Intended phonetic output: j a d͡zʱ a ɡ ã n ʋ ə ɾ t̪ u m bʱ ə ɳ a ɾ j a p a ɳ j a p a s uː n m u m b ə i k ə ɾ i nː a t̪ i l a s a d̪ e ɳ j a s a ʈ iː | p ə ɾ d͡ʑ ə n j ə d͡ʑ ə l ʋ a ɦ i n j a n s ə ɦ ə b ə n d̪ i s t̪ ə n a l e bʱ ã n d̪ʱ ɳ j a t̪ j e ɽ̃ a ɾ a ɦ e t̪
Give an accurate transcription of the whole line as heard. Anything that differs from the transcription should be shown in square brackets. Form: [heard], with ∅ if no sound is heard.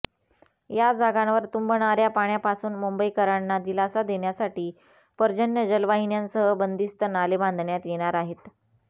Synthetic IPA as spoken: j a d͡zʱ a ɡ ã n ʋ ə ɾ t̪ u m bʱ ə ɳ a ɾ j a p a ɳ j a p a s uː n m u m b ə i k ə ɾ [a] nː a [d̪] i l a s a d̪ e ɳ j a s a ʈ iː | p ə ɾ d͡ʑ ə n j ə d͡ʑ ə l ʋ a ɦ i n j a n s ə ɦ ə b ə n d̪ i s t̪ ə n a l e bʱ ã n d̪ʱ ɳ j a t̪ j e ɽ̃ a ɾ a ɦ e t̪